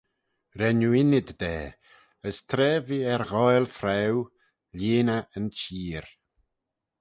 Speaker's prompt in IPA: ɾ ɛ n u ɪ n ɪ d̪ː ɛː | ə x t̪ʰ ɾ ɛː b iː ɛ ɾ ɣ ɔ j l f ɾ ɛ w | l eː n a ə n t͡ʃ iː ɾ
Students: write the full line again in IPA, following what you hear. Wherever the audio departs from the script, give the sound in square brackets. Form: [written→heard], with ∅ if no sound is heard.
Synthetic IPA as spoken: ɾ ɛ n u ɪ n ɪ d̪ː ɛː | ə [x→s] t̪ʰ ɾ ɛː [b→v] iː ɛ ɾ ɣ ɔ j l f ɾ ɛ w | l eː n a ə n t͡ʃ iː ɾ